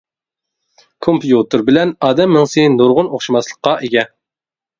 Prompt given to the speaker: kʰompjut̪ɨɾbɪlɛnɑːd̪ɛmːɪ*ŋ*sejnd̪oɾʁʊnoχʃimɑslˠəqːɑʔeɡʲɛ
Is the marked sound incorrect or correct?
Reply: correct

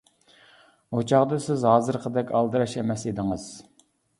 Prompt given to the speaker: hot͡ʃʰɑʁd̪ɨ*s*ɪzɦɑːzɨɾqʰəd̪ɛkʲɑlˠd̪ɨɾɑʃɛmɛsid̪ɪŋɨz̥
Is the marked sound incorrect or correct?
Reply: correct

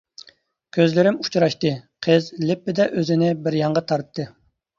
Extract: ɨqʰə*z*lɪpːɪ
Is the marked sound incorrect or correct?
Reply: correct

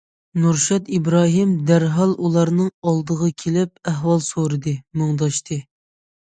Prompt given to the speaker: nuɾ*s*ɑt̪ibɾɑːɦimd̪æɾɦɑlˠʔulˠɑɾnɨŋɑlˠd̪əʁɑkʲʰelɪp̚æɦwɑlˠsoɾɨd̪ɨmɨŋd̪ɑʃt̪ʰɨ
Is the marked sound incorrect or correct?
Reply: incorrect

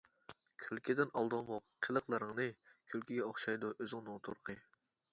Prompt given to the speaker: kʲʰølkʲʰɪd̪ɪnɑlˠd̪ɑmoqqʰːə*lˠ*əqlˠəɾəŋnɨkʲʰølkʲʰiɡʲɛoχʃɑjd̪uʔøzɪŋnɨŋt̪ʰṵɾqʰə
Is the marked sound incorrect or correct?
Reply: correct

